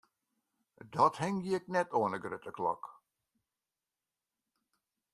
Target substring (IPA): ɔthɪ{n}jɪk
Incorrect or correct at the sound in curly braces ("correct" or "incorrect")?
incorrect